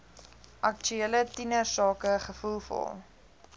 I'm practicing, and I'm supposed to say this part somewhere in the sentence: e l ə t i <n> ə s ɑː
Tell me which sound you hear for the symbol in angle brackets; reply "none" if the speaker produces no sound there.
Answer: n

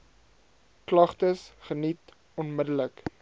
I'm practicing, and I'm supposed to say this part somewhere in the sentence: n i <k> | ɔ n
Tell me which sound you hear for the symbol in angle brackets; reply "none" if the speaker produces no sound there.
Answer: t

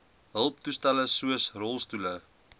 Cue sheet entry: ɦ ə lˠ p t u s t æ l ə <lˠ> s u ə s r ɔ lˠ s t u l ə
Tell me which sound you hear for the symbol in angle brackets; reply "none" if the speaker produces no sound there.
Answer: none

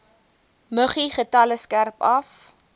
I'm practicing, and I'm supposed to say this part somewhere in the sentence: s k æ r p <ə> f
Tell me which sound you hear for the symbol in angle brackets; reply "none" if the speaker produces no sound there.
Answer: ɐ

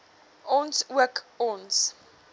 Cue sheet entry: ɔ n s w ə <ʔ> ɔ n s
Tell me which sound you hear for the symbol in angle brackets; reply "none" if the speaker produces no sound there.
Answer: k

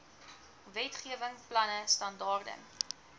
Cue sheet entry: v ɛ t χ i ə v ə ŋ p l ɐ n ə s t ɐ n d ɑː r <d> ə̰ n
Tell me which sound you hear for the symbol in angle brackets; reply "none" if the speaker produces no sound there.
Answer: d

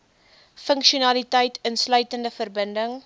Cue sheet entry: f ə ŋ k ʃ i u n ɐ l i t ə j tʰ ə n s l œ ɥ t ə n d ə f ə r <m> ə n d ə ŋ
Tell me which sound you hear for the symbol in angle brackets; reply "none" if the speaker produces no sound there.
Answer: b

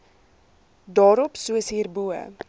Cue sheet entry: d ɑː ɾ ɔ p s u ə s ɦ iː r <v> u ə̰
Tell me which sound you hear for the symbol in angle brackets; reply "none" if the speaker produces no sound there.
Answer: b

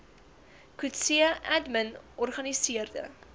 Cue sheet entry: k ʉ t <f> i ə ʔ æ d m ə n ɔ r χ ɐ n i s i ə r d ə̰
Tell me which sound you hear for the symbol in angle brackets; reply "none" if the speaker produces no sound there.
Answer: s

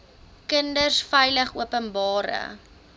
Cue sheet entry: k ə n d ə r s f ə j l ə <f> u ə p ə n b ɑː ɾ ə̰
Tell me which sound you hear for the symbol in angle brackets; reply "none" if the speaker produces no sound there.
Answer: χ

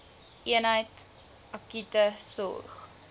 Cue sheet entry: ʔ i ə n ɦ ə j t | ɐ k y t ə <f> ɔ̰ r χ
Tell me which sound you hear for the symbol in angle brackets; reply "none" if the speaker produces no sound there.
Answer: s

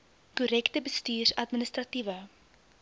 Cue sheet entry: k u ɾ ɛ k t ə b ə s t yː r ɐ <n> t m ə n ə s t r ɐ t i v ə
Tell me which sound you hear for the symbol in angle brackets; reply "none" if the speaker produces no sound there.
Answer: none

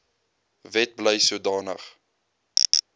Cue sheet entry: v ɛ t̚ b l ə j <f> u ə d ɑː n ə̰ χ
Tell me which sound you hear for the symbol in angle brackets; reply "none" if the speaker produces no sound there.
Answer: s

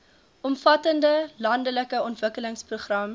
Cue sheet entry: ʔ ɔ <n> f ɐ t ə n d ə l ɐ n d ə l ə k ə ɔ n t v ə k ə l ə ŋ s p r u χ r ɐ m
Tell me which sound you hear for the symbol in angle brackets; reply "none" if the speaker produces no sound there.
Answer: m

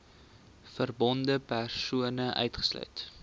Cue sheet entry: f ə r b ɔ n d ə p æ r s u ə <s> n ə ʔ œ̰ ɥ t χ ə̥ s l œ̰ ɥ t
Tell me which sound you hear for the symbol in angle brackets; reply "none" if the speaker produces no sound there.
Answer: none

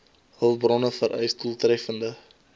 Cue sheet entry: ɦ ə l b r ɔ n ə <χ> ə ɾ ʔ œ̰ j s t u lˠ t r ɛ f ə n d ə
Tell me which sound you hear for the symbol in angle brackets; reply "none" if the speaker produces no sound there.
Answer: f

